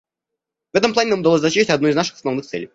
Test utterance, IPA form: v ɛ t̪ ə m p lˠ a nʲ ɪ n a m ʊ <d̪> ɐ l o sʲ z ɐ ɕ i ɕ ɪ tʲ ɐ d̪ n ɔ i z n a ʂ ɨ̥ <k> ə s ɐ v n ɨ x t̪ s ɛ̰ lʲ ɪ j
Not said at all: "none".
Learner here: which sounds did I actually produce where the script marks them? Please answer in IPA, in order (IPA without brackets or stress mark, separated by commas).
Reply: d̪, x